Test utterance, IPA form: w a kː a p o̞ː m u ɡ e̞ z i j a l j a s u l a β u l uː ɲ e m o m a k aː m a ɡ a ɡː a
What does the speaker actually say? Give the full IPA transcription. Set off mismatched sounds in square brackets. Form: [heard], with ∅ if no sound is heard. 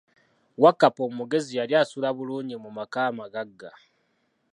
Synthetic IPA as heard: w a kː a p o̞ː m u ɡ e̞ z i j a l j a s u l a β u l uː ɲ [i] m [u] m a k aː m a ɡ a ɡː a